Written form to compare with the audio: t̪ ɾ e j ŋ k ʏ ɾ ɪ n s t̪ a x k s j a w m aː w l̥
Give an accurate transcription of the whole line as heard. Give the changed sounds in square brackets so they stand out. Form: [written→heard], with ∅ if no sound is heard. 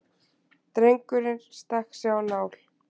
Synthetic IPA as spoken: t̪ ɾ e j ŋ k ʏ ɾ ɪ n s t̪ a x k s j a w [m→n] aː w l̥